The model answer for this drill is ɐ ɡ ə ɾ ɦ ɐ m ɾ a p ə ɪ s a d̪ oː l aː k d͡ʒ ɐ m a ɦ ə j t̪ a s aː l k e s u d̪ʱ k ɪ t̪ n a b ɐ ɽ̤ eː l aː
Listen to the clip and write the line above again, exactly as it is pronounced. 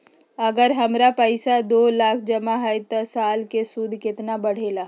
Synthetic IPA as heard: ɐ ɡ ə ɾ ɦ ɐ m ɾ a p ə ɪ s a d̪ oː l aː kʰ d͡ʒ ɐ m a ɦ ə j t̪ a s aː l k e s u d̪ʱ k ɪ t̪ n a b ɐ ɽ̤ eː l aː

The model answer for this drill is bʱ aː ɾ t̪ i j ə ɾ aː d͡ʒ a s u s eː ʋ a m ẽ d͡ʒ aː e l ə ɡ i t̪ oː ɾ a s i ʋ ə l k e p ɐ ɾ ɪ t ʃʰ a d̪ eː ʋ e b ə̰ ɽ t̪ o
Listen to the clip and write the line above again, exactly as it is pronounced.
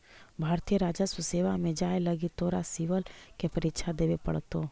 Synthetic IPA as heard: bʱ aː ɾ t̪ i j ə ɾ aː d͡ʒ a s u s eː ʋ a m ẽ d͡ʒ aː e l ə ɡ i t̪ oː ɾ a s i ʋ ə l k e p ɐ ɾ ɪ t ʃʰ a d̪ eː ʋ e p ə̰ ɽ t̪ o

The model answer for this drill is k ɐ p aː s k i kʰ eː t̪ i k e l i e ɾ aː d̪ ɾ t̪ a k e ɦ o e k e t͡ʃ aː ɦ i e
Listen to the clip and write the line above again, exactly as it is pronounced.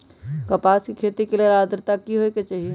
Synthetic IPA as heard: k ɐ p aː s k i kʰ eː t̪ i k e l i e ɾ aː d̪ ɾ t̪ a k i ɦ o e k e t͡ʃ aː ɦ i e

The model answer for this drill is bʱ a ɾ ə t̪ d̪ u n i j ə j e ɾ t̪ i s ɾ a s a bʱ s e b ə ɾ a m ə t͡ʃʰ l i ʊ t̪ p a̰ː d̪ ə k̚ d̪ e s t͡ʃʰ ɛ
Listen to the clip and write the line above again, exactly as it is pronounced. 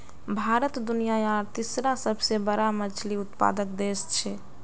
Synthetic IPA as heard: bʱ a ɾ ə t̪ d̪ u n i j a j a ɾ t̪ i s ɾ a s ə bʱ s e b ə ɾ a m ə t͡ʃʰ l i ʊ t̪ p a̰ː d̪ ə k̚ d̪ e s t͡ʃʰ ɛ

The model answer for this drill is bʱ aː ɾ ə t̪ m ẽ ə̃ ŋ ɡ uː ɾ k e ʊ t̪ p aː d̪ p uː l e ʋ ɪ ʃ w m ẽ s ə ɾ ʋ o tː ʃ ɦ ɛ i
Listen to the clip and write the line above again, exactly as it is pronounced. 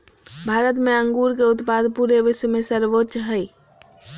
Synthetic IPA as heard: bʱ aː ɾ ə t̪ m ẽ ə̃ ŋ ɡ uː ɾ k e ʊ t̪ p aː d̪ p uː ɾ e ʋ ɪ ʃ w m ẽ s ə ɾ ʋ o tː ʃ ɦ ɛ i

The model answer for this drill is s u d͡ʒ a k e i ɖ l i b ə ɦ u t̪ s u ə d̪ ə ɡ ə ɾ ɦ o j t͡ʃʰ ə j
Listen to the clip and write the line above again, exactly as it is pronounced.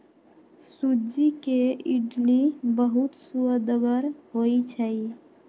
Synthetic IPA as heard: s u d͡ʒ i k e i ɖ l i b ə ɦ u t̪ s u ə d̪ ə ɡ ə ɾ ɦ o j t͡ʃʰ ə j

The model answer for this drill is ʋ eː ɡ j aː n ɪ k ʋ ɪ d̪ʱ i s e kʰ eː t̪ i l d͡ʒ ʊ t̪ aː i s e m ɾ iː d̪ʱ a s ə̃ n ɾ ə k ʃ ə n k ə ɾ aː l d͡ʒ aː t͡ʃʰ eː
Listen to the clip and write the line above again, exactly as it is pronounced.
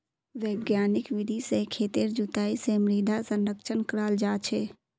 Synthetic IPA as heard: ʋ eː ɡ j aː n ɪ k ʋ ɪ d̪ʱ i s e kʰ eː t̪ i ɾ d͡ʒ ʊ t̪ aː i s e m ɾ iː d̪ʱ a s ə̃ n ɾ ə k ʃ ə n k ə ɾ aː l d͡ʒ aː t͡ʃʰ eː

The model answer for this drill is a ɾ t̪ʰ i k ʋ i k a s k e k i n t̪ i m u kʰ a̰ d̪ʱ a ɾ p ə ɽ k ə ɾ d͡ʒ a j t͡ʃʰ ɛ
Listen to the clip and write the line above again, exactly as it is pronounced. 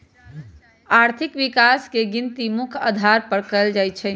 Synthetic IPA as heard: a ɾ t̪ʰ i k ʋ i k a s k e ɡ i n t̪ i m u kʰ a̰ d̪ʱ a ɾ p ə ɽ k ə l d͡ʒ a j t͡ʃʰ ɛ

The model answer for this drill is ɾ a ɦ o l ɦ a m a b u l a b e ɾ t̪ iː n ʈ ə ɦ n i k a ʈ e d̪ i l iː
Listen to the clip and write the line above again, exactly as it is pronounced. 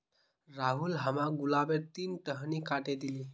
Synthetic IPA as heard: ɾ a ɦ u l ɦ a m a ɡ u l a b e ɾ t̪ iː n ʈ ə ɦ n i k a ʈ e d̪ i l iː

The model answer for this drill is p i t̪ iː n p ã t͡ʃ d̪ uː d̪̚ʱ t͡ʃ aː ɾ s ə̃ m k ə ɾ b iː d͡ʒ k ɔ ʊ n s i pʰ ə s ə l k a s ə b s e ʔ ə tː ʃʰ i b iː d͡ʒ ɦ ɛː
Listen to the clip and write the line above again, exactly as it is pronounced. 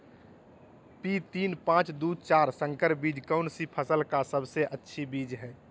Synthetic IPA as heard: p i t̪ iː n p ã t͡ʃ d̪ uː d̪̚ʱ t͡ʃ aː ɾ s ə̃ ŋ k ə ɾ b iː d͡ʒ k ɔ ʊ n s i pʰ ə s ə l k a s ə b s e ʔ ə tː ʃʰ i b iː d͡ʒ ɦ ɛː

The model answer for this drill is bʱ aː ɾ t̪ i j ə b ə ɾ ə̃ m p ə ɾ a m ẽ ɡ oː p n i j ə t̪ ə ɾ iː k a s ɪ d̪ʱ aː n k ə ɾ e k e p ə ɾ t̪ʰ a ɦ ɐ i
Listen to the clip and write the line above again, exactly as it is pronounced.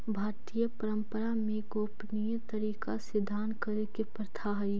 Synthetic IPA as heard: bʱ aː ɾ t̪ i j ə p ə ɾ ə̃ m p ə ɾ a m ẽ ɡ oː p n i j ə t̪ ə ɾ iː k a s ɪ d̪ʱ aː n k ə ɾ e k e p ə ɾ t̪ʰ a ɦ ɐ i

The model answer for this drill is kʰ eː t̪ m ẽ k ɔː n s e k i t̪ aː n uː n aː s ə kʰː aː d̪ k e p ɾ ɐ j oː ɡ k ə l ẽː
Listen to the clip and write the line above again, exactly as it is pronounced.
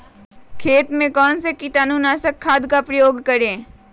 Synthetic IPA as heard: kʰ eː t̪ m ẽ k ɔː n s e k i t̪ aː n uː n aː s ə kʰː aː d̪ k a p ɾ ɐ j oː ɡ k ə ɾ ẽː

